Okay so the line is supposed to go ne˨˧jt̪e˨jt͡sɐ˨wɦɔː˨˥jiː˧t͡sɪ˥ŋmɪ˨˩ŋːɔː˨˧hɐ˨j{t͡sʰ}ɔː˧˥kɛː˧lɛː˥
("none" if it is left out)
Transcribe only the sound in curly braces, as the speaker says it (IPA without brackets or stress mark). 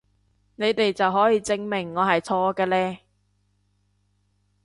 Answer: t͡sʰ